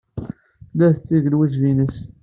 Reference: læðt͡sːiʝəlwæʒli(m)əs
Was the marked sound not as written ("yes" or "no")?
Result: yes